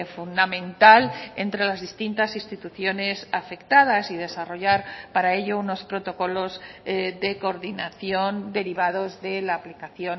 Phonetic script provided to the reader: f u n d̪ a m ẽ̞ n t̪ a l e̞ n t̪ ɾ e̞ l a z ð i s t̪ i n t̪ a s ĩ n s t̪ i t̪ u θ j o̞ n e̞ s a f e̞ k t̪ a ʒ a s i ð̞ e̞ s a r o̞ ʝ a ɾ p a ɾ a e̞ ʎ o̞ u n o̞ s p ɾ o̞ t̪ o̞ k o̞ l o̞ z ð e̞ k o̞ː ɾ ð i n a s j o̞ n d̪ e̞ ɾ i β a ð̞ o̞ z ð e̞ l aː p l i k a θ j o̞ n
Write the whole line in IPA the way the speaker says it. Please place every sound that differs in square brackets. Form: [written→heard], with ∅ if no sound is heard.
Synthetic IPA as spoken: f u n d̪ a m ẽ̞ n t̪ a l e̞ n t̪ ɾ e̞ l a z ð i s t̪ i n t̪ a s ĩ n s t̪ i t̪ u θ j o̞ n e̞ s a f e̞ k t̪ a [ʒ→ð] a s i ð̞ e̞ s a r o̞ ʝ a ɾ p a ɾ a e̞ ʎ o̞ u n o̞ s p ɾ o̞ t̪ o̞ k o̞ l o̞ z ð e̞ k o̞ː ɾ ð i n a [s→θ] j o̞ n d̪ e̞ ɾ i β a ð̞ o̞ z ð e̞ l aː p l i k a θ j o̞ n